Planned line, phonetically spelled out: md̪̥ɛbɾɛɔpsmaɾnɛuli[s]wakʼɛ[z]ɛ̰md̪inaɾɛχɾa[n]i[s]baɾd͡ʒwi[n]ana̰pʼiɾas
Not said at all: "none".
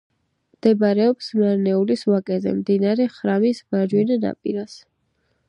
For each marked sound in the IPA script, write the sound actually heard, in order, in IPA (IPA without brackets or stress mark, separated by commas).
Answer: s, z, m, s, n